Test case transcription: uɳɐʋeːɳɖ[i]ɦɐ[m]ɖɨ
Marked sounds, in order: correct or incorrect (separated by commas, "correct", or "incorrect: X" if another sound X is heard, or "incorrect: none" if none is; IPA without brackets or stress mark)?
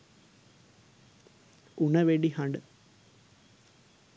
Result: correct, incorrect: ɳ